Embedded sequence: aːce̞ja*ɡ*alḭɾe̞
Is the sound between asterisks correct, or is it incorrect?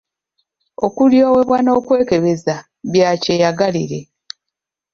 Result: correct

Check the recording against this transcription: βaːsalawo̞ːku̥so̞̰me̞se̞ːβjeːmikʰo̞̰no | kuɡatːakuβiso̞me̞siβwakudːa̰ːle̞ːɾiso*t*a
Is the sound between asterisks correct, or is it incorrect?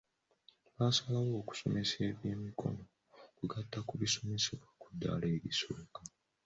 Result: incorrect: k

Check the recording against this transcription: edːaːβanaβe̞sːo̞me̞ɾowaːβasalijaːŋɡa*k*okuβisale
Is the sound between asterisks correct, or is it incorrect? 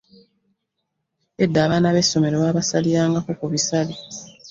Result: correct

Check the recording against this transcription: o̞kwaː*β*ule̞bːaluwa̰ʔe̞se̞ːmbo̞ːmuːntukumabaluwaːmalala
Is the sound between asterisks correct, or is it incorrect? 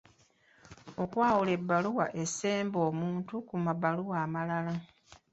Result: incorrect: w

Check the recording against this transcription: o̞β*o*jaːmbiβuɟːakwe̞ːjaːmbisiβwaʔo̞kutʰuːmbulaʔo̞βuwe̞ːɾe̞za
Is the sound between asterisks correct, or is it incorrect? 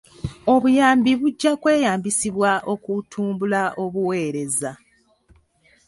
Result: incorrect: u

